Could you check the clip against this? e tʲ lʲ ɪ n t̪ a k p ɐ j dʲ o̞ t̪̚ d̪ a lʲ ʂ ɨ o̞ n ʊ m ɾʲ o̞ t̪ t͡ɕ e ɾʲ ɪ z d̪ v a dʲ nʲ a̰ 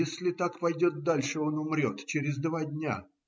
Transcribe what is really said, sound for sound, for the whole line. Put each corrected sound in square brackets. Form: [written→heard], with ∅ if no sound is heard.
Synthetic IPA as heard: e [tʲ→sʲ] lʲ ɪ [n→∅] t̪ a k p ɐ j dʲ o̞ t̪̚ d̪ a lʲ ʂ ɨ o̞ n ʊ m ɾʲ o̞ t̪ t͡ɕ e ɾʲ ɪ z d̪ v a dʲ nʲ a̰